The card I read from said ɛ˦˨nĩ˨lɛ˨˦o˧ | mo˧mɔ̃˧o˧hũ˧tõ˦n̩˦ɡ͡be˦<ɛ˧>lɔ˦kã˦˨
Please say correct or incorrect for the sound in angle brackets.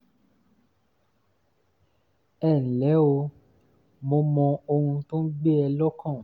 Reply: correct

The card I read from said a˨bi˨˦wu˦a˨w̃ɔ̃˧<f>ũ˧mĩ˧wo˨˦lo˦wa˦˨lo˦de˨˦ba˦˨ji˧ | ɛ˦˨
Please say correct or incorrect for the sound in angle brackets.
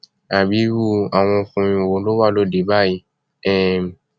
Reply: correct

